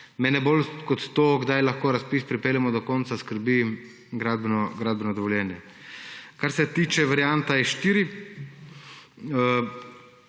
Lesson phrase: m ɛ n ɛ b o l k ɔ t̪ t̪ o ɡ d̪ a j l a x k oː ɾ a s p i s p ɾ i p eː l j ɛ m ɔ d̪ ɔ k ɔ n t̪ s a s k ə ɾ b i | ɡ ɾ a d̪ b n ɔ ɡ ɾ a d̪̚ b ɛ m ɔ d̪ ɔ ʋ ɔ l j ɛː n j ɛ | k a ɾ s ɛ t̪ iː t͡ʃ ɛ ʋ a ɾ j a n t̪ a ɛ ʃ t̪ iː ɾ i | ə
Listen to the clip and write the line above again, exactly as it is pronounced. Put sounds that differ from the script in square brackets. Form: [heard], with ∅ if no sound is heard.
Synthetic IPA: m ɛ n ɛ b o l k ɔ t̪ t̪ o ɡ d̪ a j l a x k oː ɾ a s p i s p ɾ i p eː l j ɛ m ɔ d̪ ɔ k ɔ n t̪ s a s k ə ɾ b i | ɡ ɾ a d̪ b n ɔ ɡ ɾ a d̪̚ b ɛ [n] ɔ d̪ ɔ ʋ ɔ l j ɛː n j ɛ | k a ɾ s ɛ t̪ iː t͡ʃ ɛ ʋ a ɾ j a n t̪ a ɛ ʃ t̪ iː ɾ i | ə